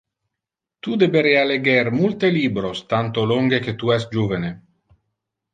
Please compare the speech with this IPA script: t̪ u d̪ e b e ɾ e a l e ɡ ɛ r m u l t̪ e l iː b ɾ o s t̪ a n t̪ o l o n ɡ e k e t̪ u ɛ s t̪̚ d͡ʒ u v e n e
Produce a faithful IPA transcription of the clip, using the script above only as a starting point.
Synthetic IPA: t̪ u d̪ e b e ɾ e a l e ɡ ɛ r m u l t̪ e l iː b ɾ o s t̪ a n t̪ o l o ŋ ɡ e k e t̪ u ɛ s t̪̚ d͡ʒ u v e n e